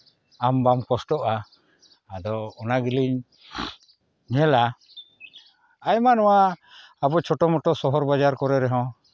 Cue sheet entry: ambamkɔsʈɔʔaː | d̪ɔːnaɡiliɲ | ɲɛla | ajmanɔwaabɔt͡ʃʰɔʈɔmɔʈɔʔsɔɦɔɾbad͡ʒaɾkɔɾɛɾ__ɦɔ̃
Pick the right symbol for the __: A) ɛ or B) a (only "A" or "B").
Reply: A